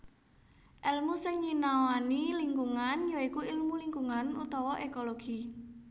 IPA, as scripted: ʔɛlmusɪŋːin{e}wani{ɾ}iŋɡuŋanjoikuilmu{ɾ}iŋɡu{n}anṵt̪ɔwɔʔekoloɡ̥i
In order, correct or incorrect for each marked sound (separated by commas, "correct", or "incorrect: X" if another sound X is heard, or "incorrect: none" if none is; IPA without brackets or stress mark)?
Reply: incorrect: a, incorrect: l, incorrect: l, incorrect: ŋ